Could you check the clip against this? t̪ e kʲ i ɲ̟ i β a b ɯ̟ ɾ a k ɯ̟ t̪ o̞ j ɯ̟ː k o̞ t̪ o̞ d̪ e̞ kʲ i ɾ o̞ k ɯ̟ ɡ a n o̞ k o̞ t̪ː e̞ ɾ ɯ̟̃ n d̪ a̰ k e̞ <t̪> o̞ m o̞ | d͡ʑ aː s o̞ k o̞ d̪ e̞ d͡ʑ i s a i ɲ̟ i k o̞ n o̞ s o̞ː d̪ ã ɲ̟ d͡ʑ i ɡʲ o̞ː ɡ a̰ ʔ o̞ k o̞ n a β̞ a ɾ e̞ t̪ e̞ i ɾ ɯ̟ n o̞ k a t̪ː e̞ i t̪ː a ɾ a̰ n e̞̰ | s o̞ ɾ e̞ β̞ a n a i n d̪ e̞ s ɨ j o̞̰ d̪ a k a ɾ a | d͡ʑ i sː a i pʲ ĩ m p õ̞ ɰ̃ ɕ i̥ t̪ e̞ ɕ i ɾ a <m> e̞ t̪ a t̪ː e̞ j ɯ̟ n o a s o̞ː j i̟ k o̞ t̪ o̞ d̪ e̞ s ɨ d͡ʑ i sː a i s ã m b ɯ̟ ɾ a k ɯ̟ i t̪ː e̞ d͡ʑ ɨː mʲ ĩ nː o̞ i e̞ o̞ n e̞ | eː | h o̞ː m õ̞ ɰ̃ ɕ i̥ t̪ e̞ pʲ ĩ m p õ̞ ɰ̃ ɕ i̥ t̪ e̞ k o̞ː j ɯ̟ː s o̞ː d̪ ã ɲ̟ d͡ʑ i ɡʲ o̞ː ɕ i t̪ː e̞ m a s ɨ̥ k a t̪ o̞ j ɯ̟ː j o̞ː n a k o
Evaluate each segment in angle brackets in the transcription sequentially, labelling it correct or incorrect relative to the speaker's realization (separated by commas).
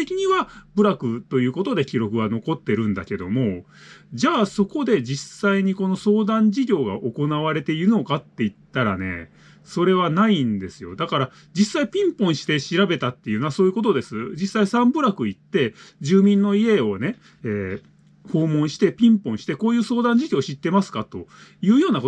incorrect, incorrect